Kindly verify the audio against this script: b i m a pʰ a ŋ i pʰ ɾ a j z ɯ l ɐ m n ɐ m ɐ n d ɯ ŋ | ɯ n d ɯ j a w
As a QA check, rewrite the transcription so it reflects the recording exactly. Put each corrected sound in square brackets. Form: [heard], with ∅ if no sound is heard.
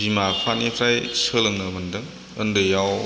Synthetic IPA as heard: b i m a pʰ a [n] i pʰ ɾ a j [s] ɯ l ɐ [ŋ] n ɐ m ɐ n d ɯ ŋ | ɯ n d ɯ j a w